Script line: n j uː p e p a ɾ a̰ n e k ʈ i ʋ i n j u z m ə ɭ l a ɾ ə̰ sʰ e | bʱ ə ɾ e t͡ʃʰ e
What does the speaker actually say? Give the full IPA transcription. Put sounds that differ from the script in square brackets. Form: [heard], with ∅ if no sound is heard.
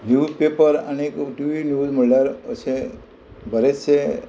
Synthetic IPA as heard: n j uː p e p [ə] ɾ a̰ n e k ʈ i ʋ i n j u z m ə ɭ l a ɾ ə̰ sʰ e | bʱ ə ɾ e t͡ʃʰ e